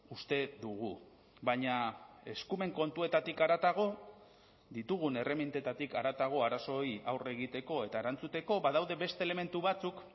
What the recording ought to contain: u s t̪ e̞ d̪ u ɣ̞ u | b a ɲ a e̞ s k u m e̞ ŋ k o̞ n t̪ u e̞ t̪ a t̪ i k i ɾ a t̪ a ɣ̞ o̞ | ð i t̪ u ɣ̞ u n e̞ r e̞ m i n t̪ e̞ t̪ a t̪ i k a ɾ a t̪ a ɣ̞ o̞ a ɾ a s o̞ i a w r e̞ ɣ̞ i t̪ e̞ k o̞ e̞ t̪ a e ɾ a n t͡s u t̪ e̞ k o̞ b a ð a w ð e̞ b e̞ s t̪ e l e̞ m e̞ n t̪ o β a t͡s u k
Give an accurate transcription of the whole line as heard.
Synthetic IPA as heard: u s t̪ e̞ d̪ u ɣ̞ u | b a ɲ a e̞ s k u m e̞ ŋ k o̞ n t̪ u e̞ t̪ a t̪ i k a ɾ a t̪ a ɣ̞ o̞ | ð i t̪ u ɣ̞ u n e̞ r e̞ m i n t̪ e̞ t̪ a t̪ i k a ɾ a t̪ a ɣ̞ o̞ a ɾ a s o̞ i a w r e̞ ɣ̞ i t̪ e̞ k o̞ e̞ t̪ a e ɾ a n t͡s u t̪ e̞ k o̞ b a ð a w ð e̞ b e̞ s t̪ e l e̞ m e̞ n t̪ u β a t͡s u k

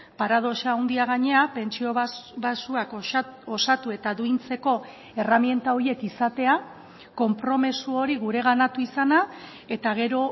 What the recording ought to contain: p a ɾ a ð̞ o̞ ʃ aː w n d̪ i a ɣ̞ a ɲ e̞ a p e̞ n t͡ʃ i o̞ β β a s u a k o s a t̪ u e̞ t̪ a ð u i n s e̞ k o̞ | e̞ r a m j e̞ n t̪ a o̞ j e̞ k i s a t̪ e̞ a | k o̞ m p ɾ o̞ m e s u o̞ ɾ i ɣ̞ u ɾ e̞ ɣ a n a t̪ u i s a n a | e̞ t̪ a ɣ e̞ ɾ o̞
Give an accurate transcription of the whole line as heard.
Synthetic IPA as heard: p a ɾ a ð̞ o̞ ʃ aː w n d̪ i a ɣ̞ a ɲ e̞ a p e̞ n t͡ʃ i o̞ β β a s u a k o s a t̪ u e̞ t̪ a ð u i n t͡s e̞ k o̞ | e̞ r a m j e̞ n t̪ a o̞ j e̞ k i s a t̪ e̞ a | k o̞ m p ɾ o̞ m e s u o̞ ɾ i ɣ̞ u ɾ e̞ ɣ a n a t̪ u i s a n a | e̞ t̪ a ɣ e̞ ɾ o̞

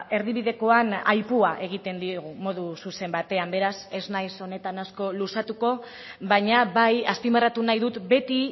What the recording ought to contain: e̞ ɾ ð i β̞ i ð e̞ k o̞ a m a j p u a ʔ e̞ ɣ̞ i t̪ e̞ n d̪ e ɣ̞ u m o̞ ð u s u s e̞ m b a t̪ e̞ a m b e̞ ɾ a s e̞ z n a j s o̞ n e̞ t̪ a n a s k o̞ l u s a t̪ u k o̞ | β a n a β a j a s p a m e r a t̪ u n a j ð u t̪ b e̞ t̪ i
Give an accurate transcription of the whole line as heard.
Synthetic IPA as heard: e̞ ɾ ð i β̞ i ð e̞ k o̞ a n a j p u a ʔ e̞ ɣ̞ i t̪ e̞ n d̪ i ɣ̞ u m o̞ ð u s u s e̞ m b a t̪ e̞ a m b e̞ ɾ a s e̞ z n a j s o̞ n e̞ t̪ a n a s k o̞ l u s a t̪ u k o̞ | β a ɲ a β a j a s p i m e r a t̪ u n a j ð u t̪ b e̞ t̪ i

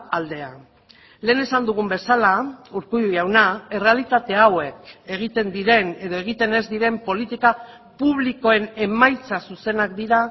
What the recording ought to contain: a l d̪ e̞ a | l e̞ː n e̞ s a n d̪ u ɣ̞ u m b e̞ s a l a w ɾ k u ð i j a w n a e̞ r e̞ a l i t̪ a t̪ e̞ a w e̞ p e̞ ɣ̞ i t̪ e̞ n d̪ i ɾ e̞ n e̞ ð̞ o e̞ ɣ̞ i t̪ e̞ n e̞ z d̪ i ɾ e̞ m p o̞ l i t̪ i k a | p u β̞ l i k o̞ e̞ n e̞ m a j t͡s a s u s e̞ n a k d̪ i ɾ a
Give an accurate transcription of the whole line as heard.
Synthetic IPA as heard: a l d̪ e̞ a | l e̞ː n e̞ s a n d̪ u ɣ̞ u m b e̞ s a l a u ɾ k u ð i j a w n a e̞ r e̞ a l i t̪ a t̪ e̞ a w e̞ k e̞ ɣ̞ i t̪ e̞ n d̪ i ɾ e̞ n e̞ ð̞ o e̞ ɣ̞ i t̪ e̞ n e̞ z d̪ i ɾ e̞ m p o̞ l i t̪ i k a | p u β̞ l i k o̞ e̞ n e̞ m a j t͡s a s u s e̞ n a k d̪ i ɾ a

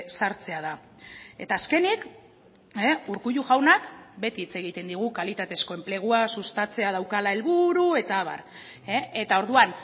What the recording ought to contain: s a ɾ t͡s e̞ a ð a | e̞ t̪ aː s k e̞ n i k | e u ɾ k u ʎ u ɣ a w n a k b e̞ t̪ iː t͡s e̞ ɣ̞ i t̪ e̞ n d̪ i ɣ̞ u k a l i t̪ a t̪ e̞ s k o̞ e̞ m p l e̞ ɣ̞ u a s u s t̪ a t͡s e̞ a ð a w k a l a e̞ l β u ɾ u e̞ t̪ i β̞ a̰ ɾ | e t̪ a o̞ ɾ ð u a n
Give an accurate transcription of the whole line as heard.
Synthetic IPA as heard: s a ɾ t͡s e̞ a ð a | e̞ t̪ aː s k e̞ n i k | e u ɾ k u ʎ u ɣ a w n a k b e̞ t̪ iː t͡s e̞ ɣ̞ i t̪ e̞ n d̪ i ɣ̞ u k a l i t̪ a t̪ e̞ s k o̞ e̞ m p l e̞ ɣ̞ u a s u s t̪ a t͡s e̞ a ð a w k a l a e̞ l β u ɾ u e̞ t̪ a β̞ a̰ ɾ | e t̪ a o̞ ɾ ð u a n

